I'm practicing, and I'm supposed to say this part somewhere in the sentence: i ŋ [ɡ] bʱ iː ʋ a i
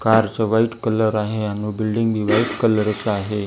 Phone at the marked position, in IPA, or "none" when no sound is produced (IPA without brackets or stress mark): ɡ